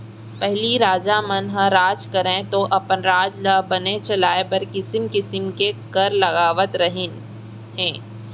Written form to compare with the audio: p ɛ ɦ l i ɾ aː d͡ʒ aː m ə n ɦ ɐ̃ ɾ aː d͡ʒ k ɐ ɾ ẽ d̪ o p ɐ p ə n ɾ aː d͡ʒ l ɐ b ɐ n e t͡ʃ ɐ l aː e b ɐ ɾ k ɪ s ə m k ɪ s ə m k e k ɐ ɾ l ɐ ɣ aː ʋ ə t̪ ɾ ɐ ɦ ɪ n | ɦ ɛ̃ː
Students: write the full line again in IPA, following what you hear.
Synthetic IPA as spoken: p ɛ ɦ l i ɾ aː d͡ʒ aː m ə n ɦ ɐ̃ ɾ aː d͡ʒ k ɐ ɾ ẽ t̪ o ʔ ɐ p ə n ɾ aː d͡ʒ l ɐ b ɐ n e t͡ʃ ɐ l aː e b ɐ ɾ k ɪ s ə m k ɪ s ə m k e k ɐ ɾ l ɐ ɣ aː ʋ ə t̪ ɾ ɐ ɦ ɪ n | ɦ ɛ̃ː